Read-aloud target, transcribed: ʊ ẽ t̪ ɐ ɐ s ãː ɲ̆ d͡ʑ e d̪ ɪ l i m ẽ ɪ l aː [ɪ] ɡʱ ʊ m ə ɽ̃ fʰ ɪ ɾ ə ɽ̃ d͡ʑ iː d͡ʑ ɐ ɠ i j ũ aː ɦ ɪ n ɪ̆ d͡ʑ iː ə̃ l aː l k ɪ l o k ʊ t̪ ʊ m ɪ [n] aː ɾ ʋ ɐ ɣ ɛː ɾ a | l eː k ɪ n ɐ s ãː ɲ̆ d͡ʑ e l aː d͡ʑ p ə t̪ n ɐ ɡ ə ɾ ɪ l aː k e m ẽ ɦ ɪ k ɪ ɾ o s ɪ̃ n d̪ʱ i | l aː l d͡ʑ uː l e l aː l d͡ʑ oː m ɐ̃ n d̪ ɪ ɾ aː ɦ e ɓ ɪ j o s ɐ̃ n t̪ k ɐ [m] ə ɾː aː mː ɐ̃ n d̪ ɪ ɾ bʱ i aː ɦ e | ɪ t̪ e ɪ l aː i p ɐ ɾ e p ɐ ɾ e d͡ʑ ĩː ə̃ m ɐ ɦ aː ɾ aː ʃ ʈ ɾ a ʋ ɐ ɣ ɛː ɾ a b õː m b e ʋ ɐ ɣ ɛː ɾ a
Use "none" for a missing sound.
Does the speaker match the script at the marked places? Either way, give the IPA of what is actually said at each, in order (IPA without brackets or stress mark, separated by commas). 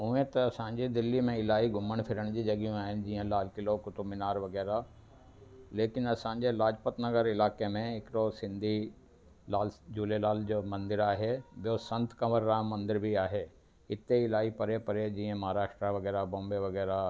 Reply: i, n, m